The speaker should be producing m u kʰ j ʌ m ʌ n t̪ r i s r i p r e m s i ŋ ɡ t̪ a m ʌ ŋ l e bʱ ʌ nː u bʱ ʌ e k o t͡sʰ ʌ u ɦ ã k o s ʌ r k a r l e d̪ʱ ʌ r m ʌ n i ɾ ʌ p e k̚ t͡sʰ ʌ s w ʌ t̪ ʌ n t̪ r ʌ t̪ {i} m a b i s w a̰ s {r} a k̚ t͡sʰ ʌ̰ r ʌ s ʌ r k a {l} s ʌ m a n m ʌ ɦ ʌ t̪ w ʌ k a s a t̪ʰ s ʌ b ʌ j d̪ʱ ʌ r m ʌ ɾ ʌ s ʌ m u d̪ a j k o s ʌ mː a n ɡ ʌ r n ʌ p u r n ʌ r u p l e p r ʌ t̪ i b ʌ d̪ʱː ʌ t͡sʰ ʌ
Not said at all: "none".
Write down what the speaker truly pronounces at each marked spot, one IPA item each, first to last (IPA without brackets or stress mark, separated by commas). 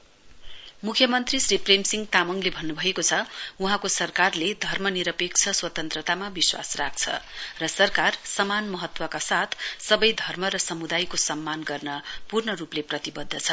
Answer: a, r, r